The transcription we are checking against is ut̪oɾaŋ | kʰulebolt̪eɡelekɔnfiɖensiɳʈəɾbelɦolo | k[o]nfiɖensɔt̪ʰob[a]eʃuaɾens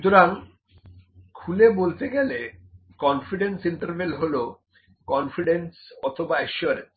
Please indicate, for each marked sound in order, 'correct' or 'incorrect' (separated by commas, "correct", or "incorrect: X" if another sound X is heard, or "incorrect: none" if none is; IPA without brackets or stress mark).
incorrect: ɔ, correct